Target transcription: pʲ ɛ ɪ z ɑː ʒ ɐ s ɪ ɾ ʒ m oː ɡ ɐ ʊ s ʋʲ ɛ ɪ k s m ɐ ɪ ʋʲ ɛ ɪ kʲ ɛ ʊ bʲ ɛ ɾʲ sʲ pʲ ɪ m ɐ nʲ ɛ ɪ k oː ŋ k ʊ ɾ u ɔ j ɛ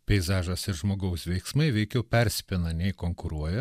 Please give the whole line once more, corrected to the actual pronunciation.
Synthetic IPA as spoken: pʲ ɛ ɪ z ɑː ʒ ɐ s ɪ ɾ ʒ m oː ɡ ɐ ʊ s ʋʲ ɛ ɪ k s m ɐ ɪ ʋʲ ɛ ɪ kʲ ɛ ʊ pʲ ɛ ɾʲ sʲ pʲ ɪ n ɐ nʲ ɛ ɪ k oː ŋ k ʊ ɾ u ɔ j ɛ